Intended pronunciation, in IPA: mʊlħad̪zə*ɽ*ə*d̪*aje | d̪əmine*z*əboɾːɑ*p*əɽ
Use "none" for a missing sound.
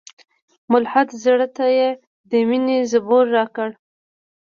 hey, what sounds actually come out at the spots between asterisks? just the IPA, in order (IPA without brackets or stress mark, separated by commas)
ɽ, t̪, z, k